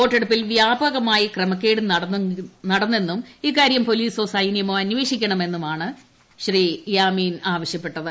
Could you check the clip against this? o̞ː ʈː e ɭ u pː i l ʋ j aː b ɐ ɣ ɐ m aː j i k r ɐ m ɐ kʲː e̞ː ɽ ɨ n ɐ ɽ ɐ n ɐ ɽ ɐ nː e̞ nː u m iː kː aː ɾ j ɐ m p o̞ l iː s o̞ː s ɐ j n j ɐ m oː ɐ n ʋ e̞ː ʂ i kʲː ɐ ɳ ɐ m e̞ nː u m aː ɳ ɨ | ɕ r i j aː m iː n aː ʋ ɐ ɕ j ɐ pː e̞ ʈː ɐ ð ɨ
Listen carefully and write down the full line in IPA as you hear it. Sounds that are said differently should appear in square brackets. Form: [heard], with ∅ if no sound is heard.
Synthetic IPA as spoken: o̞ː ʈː e [ɽ] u pː i l ʋ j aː b ɐ ɣ ɐ m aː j i k r ɐ m ɐ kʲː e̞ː ɽ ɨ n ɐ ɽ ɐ n ɐ ɽ ɐ nː e̞ nː u m iː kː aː ɾ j ɐ m p o̞ l iː s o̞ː s ɐ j n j ɐ m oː ɐ n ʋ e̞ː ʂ i kʲː ɐ ɳ ɐ m e̞ nː u m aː ɳ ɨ | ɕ r i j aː m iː n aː ʋ ɐ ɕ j ɐ pː e̞ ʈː ɐ ð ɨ